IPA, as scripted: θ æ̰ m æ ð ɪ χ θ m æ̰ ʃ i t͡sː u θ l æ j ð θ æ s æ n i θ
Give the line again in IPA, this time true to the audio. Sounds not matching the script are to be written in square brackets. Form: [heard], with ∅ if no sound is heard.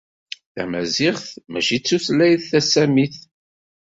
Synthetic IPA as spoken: θ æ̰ m æ [z] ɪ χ θ m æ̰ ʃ i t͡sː u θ l æ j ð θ æ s æ [m] i θ

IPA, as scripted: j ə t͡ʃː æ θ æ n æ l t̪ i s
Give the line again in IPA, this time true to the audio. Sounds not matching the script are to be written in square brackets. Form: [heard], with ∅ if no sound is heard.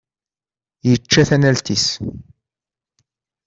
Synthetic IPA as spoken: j ə t͡ʃː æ θ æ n æ l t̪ i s

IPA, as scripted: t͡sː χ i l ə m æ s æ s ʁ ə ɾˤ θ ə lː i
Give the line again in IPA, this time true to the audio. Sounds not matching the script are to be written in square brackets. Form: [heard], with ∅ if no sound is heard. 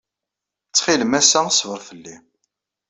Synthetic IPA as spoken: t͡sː χ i l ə m æ s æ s [v] ə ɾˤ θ ə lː i

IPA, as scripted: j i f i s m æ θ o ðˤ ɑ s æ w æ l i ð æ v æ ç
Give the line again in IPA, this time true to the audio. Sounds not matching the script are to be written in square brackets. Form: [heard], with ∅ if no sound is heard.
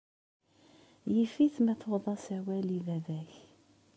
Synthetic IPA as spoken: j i f i [θ] m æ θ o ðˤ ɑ s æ w æ l i [v] æ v æ ç

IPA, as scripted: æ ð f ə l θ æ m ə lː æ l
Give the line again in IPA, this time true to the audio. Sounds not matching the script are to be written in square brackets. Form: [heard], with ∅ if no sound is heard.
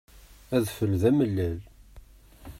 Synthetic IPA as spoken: æ ð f ə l [ð] æ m ə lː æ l

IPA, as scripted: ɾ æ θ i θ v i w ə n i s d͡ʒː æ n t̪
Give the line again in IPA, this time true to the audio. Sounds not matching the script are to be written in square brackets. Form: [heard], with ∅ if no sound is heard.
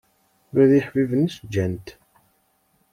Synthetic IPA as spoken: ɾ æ [ð] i [ħ] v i [v] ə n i s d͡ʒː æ n t̪

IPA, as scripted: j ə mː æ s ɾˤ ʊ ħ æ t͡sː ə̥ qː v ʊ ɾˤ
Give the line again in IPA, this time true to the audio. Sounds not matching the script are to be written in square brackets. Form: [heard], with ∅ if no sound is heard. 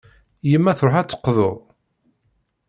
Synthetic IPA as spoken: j ə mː æ [θ] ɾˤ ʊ ħ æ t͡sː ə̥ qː [ð] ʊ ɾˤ

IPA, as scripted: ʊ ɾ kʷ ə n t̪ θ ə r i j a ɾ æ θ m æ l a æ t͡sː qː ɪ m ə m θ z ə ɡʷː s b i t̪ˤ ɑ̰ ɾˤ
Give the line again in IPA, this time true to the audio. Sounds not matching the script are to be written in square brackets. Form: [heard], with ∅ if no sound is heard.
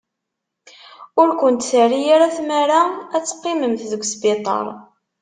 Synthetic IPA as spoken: ʊ ɾ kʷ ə n t̪ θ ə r i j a ɾ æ θ m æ [ɾ] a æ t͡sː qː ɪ m ə m θ [ð] ə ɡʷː s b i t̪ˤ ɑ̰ ɾˤ

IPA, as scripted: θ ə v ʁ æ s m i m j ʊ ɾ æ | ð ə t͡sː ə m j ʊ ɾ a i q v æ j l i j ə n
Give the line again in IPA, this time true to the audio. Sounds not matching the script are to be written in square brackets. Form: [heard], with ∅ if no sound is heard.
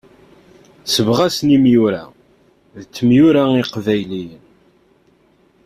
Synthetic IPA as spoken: [s] ə v ʁ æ s [n] i m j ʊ ɾ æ | ð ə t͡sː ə m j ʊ ɾ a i q v æ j l i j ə n

